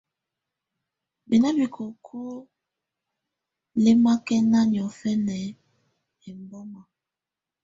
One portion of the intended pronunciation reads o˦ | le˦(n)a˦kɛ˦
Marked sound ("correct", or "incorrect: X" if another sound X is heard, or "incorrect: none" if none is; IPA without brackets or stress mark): incorrect: m